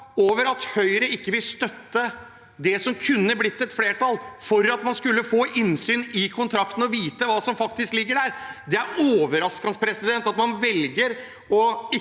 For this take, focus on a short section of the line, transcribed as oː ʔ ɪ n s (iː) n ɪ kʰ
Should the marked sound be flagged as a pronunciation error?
yes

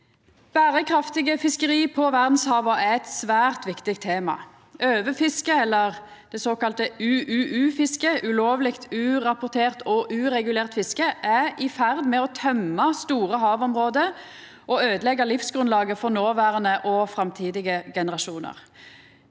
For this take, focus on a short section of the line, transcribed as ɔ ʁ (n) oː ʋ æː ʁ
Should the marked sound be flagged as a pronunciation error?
no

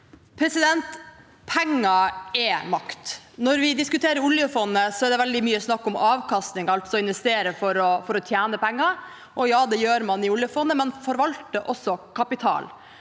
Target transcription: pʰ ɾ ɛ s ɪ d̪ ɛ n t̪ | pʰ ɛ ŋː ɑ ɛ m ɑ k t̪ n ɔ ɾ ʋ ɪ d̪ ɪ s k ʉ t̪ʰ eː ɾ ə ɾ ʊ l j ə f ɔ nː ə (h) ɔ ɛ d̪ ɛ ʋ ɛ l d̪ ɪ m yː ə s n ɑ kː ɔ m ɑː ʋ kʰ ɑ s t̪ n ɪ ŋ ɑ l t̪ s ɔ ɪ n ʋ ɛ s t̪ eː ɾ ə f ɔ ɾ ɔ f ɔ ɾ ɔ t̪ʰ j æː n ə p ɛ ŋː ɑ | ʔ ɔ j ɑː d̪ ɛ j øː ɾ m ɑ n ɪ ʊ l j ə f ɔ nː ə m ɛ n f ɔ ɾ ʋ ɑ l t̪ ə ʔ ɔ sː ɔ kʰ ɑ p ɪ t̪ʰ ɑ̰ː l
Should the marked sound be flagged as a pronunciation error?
yes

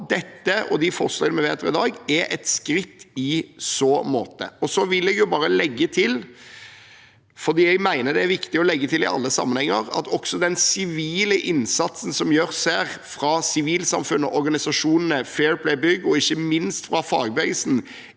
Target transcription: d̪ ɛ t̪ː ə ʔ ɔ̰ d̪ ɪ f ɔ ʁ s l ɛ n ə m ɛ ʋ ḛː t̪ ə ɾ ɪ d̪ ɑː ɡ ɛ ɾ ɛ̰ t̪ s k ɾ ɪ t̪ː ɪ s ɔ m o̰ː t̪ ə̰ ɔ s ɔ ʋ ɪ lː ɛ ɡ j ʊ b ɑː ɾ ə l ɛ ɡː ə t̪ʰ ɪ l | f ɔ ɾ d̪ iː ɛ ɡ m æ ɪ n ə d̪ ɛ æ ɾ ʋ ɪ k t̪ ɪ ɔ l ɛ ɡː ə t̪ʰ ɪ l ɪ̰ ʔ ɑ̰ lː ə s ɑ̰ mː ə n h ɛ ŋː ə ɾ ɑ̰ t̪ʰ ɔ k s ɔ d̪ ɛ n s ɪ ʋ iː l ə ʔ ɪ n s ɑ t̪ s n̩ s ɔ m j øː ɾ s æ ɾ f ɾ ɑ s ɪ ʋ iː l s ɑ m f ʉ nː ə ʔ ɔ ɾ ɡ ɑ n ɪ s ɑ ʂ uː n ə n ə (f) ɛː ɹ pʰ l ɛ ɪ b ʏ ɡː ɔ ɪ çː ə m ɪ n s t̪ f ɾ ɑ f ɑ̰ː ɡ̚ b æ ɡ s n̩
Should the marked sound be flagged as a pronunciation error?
no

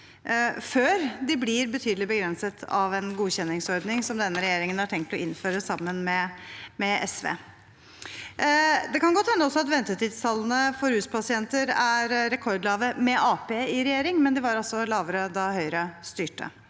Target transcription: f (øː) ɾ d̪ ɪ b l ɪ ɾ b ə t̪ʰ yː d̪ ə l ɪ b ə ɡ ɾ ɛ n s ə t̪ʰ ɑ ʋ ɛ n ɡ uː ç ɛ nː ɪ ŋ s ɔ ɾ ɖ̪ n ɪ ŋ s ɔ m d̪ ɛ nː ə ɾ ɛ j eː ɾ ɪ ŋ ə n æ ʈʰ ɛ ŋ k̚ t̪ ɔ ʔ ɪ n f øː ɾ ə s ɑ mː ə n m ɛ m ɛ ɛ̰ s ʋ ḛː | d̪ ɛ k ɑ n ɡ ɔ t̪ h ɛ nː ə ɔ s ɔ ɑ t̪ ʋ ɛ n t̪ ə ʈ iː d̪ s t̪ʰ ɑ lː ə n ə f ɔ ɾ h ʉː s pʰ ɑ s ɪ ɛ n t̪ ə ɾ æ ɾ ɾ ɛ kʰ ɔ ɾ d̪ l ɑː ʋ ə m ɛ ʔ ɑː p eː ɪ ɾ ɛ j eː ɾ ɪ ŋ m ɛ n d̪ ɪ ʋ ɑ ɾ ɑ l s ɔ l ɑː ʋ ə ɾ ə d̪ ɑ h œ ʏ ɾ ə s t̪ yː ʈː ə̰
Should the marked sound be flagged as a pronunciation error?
no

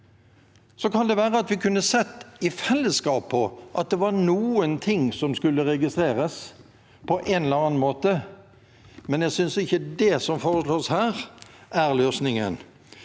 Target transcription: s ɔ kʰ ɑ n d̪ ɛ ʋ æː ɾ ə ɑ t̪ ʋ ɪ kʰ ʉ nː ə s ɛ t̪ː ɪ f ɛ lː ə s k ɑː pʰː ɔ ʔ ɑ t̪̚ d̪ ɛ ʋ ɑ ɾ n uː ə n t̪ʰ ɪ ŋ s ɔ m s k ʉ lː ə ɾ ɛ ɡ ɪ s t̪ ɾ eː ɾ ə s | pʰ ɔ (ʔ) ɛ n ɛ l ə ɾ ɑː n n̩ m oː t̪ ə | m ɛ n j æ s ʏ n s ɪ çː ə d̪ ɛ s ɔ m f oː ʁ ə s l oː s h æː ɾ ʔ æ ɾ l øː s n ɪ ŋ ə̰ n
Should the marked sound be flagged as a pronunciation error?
no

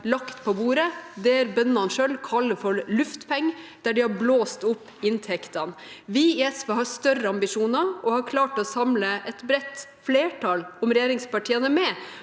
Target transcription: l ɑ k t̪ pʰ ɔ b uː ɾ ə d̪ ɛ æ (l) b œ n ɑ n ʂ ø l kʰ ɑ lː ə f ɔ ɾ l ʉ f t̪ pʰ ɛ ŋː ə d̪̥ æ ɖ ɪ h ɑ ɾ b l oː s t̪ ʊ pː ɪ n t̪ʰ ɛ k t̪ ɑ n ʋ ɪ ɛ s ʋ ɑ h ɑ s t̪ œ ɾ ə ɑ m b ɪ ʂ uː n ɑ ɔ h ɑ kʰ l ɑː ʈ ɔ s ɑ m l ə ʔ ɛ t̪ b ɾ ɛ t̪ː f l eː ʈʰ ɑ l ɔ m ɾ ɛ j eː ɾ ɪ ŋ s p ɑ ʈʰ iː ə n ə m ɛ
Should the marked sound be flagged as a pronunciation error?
yes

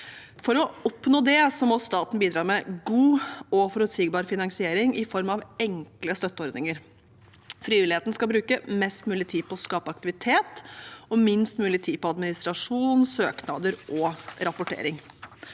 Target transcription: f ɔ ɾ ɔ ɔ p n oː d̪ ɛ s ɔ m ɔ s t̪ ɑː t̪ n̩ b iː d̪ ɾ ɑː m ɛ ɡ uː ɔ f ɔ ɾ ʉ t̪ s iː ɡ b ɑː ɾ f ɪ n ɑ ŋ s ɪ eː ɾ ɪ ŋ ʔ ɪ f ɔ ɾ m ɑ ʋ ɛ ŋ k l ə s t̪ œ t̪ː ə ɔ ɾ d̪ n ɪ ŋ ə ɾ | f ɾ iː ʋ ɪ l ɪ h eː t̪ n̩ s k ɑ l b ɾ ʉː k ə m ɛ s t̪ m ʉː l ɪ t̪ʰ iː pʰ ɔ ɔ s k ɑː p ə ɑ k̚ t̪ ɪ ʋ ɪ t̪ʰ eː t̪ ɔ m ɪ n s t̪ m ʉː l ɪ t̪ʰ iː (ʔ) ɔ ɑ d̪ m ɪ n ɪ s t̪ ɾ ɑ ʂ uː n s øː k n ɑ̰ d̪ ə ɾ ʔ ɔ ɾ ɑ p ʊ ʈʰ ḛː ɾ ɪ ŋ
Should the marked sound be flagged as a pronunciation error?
yes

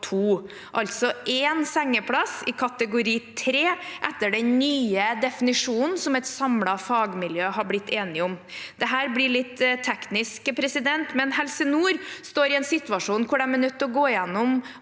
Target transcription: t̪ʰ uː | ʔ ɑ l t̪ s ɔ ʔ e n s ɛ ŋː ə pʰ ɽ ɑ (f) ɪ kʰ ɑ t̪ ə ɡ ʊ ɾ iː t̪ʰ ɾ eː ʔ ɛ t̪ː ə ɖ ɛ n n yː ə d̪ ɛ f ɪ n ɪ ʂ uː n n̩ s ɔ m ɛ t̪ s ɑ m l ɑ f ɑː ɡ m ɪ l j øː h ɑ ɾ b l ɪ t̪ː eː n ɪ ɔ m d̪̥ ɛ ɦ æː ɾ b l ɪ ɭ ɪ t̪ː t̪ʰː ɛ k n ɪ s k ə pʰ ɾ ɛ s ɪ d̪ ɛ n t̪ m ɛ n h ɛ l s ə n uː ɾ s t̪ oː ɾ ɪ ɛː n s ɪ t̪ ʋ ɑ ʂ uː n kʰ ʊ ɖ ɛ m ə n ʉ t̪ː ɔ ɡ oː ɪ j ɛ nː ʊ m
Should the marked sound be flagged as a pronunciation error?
yes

